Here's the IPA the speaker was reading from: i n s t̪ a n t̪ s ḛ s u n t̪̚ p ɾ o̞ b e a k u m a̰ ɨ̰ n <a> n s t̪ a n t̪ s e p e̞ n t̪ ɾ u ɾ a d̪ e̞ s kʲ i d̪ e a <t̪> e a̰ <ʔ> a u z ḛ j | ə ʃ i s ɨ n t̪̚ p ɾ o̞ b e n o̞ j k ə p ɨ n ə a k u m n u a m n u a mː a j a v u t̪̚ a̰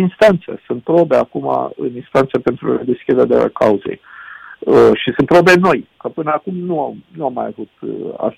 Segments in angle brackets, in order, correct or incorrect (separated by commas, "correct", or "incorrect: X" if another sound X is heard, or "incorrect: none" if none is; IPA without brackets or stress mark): incorrect: i, incorrect: d̪, incorrect: k